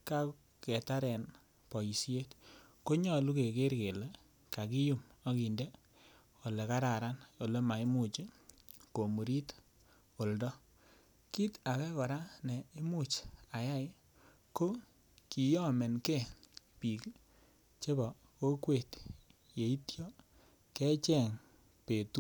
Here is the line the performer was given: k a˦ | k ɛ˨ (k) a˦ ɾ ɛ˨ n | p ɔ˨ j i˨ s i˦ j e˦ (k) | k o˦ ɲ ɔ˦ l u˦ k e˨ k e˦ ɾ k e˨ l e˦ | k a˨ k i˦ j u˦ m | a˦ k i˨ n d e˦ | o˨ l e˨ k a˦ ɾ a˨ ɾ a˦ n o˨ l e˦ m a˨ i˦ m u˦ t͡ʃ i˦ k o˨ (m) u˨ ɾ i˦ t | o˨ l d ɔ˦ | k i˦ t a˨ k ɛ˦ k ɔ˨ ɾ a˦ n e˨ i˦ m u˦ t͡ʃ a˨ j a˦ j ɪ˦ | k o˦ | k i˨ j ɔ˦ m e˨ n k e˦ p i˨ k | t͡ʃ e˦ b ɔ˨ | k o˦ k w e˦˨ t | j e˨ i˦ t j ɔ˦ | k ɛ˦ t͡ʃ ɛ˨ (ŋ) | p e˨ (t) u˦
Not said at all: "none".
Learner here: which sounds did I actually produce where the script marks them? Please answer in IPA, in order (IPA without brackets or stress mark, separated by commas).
t, t, m, ŋ, t